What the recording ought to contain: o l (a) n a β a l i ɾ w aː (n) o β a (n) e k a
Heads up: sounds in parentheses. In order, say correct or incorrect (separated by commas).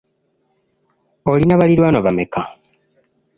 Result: incorrect, correct, incorrect